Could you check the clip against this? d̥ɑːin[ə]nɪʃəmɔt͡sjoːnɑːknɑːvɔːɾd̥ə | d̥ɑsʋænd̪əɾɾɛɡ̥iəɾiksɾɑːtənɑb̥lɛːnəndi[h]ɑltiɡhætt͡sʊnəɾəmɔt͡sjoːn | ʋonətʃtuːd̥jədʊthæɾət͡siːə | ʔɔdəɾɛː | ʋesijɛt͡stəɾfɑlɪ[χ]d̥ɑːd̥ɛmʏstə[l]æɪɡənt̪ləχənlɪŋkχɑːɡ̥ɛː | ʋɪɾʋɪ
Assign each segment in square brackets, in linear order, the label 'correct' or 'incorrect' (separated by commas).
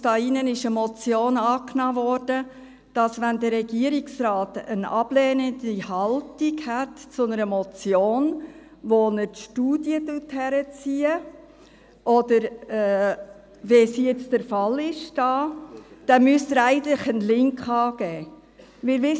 correct, correct, incorrect, incorrect